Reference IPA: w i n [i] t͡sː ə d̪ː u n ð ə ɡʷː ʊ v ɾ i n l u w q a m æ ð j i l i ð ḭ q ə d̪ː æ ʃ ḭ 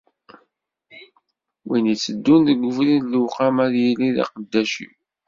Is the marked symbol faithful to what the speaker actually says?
yes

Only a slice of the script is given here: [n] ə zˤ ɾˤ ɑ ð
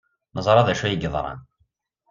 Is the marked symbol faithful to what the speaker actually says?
yes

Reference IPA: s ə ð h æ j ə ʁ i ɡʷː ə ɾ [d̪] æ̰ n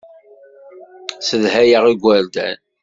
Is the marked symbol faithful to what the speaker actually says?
yes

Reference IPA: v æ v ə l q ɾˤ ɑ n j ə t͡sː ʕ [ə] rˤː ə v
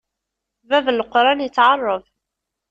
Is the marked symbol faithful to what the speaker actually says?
no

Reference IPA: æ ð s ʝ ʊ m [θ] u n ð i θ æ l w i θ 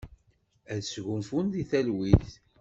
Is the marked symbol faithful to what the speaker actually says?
no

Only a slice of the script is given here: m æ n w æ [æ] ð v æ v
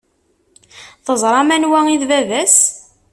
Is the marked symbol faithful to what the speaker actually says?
no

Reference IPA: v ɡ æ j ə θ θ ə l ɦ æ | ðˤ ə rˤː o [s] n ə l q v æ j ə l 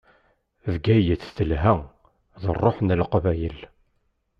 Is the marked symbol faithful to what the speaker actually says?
no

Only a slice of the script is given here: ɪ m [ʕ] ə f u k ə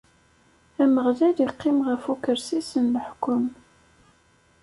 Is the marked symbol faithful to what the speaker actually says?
no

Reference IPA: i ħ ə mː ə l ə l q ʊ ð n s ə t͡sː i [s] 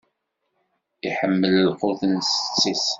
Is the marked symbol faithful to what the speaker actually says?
yes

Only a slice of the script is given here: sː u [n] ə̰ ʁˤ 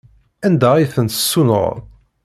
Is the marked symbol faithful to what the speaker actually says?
yes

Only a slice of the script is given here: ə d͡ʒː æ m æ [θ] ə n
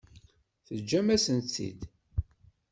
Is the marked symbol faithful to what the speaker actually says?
no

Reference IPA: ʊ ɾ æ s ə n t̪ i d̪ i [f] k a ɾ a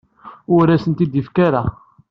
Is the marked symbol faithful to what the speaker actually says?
yes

